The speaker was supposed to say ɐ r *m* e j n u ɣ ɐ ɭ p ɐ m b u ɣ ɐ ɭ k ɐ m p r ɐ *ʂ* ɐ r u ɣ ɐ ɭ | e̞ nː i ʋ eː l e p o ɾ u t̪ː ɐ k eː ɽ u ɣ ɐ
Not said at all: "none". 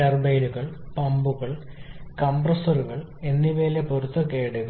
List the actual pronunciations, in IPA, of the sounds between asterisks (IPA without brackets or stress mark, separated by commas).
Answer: b, s